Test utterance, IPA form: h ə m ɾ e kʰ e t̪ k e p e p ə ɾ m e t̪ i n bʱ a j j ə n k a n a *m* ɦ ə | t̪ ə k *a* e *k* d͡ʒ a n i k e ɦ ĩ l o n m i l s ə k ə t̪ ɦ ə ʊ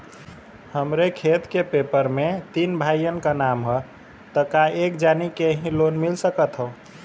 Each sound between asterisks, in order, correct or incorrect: correct, correct, correct

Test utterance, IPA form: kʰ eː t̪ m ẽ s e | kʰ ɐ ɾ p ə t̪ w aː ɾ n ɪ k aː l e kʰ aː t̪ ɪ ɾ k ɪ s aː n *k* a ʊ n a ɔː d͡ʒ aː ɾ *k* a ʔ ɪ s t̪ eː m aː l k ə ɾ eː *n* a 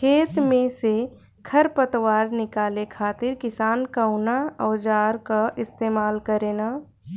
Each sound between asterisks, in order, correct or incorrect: correct, correct, correct

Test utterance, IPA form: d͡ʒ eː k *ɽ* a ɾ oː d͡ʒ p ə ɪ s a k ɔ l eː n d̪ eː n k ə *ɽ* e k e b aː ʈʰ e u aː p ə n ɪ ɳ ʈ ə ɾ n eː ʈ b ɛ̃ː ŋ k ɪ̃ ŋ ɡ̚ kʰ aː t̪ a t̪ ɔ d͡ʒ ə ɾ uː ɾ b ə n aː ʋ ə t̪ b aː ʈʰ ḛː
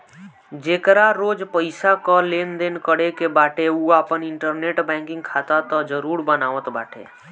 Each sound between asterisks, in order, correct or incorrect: incorrect: ɾ, correct

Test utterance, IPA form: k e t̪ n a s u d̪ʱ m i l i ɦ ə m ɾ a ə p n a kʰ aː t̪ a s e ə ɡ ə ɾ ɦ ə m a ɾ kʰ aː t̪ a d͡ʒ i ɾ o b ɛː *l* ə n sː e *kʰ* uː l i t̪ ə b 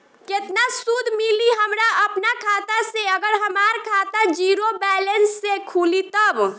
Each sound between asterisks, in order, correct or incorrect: correct, correct

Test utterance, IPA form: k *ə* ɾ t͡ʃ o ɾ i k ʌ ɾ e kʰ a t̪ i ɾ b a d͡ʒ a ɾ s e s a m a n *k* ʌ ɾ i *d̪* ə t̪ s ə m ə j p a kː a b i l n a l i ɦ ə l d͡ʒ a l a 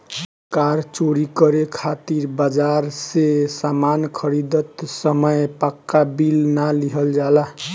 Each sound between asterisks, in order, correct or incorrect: incorrect: a, incorrect: kʰ, correct

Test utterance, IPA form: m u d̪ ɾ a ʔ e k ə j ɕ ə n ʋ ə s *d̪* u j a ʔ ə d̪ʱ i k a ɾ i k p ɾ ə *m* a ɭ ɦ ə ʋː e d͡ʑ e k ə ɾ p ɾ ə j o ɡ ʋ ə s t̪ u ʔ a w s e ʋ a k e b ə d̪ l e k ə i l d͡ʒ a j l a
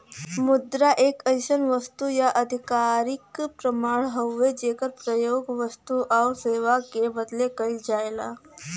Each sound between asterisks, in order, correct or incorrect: incorrect: t̪, correct

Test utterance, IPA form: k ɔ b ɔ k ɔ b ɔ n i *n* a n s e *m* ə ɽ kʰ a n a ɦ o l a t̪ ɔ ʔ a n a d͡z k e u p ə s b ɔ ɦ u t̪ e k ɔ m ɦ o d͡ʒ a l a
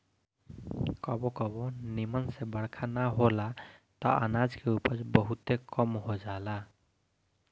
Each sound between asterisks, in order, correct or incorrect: incorrect: m, incorrect: b

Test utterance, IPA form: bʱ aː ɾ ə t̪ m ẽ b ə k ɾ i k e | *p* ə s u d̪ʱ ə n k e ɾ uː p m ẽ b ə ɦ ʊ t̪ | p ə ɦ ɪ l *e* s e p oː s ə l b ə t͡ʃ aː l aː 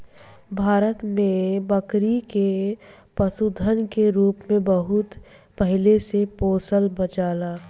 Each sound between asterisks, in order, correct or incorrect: correct, correct

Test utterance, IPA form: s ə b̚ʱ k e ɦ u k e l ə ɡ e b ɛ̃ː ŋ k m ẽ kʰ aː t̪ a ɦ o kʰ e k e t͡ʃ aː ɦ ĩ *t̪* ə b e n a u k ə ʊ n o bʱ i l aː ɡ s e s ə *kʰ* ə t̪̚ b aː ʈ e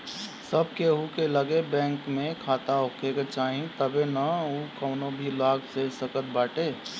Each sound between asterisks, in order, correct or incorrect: correct, incorrect: k

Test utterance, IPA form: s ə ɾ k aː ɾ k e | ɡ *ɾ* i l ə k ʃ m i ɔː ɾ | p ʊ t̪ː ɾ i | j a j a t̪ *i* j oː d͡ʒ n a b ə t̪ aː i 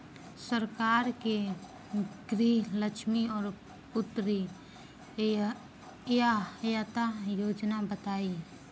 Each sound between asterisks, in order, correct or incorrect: correct, incorrect: a

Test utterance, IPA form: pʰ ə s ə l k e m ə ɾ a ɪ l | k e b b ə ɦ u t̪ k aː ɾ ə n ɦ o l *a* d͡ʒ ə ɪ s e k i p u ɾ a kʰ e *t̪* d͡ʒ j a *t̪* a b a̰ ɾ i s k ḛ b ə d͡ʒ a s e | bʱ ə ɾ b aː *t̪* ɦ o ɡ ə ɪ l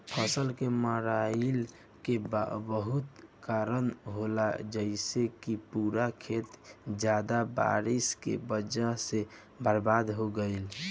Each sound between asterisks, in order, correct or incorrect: correct, correct, incorrect: d̪, incorrect: d̪

